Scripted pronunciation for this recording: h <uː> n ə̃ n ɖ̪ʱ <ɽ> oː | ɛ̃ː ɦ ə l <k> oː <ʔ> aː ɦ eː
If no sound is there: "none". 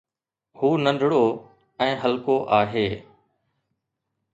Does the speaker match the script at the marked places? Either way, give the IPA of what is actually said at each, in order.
uː, ɽ, k, ʔ

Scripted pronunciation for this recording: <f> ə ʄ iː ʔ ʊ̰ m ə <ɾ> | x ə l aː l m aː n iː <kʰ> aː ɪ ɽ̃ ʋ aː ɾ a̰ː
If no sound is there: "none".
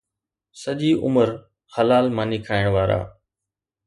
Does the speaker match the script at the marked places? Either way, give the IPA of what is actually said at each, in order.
s, ɾ, kʰ

